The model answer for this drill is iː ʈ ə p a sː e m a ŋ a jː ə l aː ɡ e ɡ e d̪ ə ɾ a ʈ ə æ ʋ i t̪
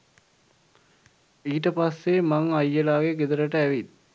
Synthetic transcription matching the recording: iː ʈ ə p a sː e m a ŋ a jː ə l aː ɡ e ɡ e d̪ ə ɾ ə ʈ ə æ ʋ i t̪

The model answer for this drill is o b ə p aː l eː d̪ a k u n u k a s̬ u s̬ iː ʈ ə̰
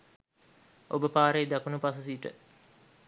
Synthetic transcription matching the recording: o b ə p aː ɾ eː d̪ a k u n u p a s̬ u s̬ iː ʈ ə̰

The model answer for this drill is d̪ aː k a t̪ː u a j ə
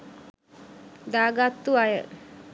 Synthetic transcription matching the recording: d̪ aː ɡ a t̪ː u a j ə

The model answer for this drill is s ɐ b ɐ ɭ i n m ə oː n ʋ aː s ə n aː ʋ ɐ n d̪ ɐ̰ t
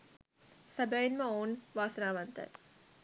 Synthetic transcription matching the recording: s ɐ b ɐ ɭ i n m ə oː n ʋ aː s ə n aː ʋ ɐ n t̪ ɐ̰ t

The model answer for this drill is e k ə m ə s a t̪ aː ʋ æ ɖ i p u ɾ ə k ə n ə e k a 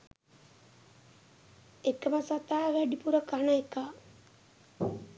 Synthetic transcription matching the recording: e k ə m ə s a t̪ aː ʋ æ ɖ i p u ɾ ə k a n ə e k a

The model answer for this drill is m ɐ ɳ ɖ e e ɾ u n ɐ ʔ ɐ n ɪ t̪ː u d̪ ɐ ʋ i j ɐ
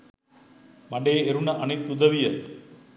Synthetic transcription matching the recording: m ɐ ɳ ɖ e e ɾ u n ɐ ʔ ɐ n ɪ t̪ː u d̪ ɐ ʋ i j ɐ

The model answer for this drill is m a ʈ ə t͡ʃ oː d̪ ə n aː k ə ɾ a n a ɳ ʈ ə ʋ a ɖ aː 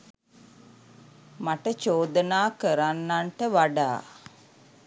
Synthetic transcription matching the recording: m a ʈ ə t͡ʃ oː d̪ ə n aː k ə ɾ a nː a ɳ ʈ ə ʋ a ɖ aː

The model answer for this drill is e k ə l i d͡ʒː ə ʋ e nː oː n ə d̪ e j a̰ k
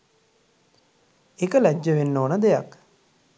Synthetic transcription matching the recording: e k ə l æ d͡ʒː ə ʋ e nː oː n ə d̪ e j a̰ k

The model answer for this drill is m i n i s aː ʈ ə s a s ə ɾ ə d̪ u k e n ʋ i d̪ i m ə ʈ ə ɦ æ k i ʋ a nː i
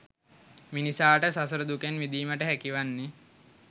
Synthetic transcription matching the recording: m i n i s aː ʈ ə s a s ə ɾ ə d̪ u k e n ʋ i d̪ iː m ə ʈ ə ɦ æ k i ʋ a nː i

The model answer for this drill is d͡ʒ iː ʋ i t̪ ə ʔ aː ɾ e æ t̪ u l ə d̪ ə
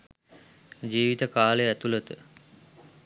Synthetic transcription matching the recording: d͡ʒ iː ʋ i t̪ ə k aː l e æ t̪ u l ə t̪ ə

